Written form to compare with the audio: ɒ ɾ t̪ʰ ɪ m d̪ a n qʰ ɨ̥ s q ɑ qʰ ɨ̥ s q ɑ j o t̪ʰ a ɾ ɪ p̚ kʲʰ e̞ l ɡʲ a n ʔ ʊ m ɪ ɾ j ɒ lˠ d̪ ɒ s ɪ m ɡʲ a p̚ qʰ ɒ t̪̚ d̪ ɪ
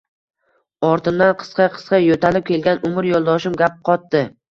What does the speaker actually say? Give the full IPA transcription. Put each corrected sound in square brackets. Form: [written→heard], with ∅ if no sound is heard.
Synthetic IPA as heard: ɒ ɾ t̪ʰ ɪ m d̪ a n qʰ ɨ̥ s q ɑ qʰ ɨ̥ s q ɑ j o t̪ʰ a [ɾ→l] ɪ p̚ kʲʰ e̞ l ɡʲ a n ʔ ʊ m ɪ ɾ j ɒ lˠ d̪ ɒ [s→ʃ] ɪ m ɡʲ a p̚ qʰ ɒ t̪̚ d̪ ɪ